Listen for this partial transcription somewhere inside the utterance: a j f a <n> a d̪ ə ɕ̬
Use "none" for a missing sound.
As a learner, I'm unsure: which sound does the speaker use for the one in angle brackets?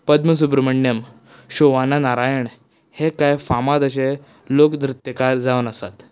m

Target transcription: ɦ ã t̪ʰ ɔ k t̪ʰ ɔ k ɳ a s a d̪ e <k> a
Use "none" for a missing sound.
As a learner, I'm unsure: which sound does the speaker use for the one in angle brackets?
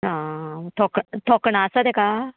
k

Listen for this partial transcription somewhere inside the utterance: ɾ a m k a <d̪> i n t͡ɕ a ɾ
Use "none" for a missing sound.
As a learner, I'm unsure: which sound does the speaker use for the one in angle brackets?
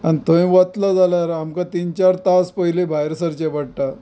t̪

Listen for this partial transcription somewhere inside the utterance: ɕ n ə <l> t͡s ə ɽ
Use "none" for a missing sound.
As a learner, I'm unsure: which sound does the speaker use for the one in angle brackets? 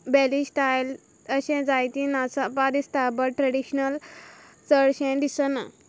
l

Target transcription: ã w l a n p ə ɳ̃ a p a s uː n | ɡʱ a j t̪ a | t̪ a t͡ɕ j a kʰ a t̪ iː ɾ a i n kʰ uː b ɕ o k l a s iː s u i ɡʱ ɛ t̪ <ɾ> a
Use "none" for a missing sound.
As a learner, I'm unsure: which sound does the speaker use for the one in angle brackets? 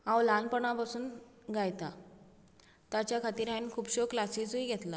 l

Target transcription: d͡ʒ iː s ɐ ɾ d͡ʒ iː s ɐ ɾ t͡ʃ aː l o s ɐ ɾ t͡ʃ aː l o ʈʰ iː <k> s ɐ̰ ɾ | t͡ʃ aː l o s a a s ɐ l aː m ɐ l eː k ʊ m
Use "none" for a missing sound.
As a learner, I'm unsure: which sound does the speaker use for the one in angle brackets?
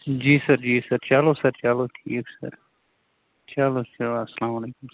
k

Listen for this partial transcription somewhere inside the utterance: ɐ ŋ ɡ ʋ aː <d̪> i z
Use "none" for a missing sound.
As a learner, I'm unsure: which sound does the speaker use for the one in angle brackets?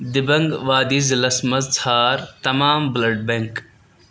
d̪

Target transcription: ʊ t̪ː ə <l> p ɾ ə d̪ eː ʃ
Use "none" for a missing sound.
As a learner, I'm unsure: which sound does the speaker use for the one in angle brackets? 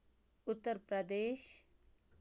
ɾ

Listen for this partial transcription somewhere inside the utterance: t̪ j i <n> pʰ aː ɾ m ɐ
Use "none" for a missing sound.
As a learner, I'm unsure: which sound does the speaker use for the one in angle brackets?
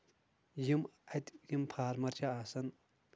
m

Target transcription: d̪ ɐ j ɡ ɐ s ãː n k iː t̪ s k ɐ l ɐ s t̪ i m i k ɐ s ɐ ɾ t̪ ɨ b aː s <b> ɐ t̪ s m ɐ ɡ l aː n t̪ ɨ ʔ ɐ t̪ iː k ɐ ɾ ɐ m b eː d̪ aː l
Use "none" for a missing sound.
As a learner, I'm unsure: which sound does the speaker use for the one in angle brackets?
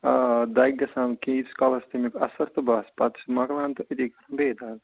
p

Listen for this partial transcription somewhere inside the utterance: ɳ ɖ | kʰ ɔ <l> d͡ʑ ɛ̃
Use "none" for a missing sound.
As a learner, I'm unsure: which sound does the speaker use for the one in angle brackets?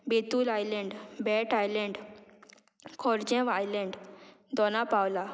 ɾ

